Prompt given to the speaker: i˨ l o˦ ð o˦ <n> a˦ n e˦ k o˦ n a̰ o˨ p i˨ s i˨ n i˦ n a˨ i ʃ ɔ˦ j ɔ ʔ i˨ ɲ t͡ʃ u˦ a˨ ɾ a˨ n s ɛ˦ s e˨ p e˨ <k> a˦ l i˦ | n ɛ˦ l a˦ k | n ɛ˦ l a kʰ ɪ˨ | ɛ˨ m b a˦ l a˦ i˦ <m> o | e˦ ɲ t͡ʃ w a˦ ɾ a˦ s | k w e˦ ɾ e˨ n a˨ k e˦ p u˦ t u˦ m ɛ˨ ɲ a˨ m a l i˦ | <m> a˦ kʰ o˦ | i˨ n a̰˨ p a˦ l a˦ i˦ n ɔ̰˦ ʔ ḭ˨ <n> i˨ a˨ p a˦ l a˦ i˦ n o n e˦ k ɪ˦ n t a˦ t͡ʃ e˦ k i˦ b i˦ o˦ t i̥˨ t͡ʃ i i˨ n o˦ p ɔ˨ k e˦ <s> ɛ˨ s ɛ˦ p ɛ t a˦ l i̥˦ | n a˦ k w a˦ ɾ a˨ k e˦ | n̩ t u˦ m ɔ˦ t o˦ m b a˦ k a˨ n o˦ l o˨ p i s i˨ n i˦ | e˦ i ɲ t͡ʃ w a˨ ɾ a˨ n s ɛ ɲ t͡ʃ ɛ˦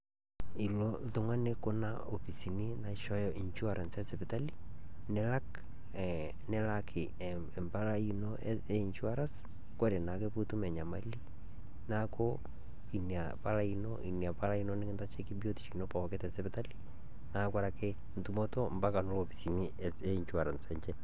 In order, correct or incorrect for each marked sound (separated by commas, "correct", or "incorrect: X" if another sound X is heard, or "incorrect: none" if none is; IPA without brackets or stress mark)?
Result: incorrect: ŋ, incorrect: t, incorrect: n, incorrect: n, correct, incorrect: t